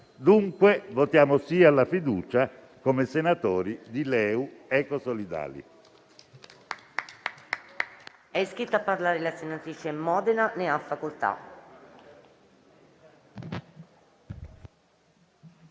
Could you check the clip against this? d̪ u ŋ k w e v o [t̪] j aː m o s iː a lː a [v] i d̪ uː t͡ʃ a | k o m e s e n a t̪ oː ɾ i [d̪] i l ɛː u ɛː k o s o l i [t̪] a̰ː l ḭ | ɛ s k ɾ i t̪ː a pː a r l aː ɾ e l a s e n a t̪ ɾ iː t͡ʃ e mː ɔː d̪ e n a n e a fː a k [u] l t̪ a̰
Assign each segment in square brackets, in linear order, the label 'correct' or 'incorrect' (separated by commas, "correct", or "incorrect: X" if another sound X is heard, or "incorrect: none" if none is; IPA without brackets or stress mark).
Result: correct, incorrect: f, correct, incorrect: d̪, incorrect: o